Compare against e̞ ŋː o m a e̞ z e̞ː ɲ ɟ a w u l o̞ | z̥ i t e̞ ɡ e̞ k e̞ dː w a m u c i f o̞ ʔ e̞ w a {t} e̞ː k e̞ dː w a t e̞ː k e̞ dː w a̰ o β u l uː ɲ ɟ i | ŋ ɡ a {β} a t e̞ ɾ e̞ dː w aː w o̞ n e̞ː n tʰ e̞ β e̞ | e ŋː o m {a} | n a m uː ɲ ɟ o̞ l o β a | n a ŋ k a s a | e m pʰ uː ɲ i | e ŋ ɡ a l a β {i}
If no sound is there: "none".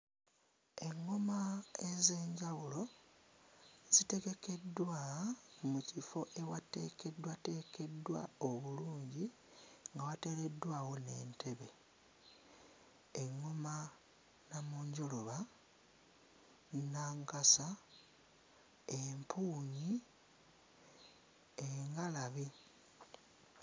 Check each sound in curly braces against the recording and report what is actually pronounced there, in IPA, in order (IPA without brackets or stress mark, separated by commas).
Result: t, w, a, i